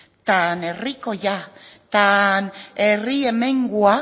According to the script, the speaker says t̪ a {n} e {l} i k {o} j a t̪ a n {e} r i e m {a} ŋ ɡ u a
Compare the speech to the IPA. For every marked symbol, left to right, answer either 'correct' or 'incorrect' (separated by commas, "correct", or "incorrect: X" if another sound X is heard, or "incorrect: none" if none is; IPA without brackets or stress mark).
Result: correct, incorrect: r, correct, correct, incorrect: e